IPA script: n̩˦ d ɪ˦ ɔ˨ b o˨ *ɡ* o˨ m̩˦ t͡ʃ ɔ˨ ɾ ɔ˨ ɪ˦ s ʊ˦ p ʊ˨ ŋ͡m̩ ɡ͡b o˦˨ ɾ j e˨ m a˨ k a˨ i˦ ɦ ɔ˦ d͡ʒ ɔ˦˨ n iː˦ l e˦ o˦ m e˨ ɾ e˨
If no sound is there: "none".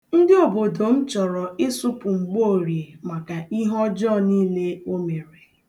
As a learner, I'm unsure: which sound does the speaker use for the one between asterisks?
d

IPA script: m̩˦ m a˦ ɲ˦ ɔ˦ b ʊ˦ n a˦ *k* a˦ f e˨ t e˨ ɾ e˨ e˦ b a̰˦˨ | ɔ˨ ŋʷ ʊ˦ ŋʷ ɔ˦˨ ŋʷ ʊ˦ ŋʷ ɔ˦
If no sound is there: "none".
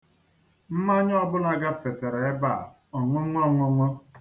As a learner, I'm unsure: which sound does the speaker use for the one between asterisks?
ɡ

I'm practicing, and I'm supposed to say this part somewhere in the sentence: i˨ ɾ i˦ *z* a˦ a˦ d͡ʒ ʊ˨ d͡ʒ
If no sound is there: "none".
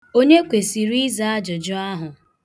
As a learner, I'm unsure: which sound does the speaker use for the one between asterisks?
z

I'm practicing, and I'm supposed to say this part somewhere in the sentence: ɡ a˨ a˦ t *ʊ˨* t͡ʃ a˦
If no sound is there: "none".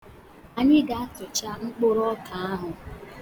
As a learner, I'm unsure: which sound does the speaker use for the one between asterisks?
ʊ˨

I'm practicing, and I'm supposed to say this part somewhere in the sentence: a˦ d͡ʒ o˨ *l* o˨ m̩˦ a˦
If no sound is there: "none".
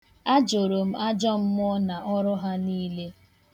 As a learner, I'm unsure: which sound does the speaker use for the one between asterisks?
ɾ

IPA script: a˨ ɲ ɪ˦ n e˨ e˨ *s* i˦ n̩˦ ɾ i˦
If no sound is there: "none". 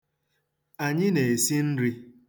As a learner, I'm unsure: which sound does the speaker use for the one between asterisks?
s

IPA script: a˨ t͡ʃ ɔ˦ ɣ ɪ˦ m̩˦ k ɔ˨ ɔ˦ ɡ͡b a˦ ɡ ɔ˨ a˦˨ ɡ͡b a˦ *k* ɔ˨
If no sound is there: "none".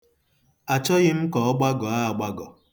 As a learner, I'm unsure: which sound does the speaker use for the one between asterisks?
ɡ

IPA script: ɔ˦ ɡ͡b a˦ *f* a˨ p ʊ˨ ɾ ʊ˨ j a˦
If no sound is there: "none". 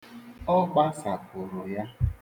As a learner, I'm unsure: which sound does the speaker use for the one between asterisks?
s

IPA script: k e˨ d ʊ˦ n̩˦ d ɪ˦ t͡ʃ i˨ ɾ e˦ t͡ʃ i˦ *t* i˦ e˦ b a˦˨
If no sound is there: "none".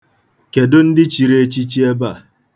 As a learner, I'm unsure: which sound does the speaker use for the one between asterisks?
t͡ʃ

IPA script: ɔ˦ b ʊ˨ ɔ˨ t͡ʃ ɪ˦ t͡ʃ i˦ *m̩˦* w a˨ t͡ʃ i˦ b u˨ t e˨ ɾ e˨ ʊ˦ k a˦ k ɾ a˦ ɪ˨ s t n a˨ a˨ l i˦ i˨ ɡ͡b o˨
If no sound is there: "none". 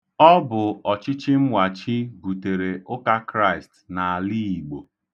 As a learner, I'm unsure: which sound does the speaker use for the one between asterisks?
m̩˦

